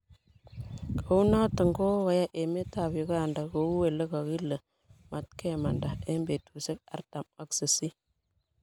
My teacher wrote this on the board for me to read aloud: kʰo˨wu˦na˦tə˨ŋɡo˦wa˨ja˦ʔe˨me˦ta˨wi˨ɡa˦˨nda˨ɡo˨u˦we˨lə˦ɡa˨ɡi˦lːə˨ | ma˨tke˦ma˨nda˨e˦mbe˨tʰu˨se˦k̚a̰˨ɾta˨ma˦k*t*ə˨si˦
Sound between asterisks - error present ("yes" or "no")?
yes